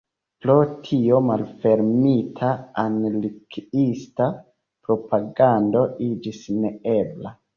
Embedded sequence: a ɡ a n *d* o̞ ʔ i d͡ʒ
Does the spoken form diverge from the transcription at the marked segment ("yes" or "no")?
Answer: no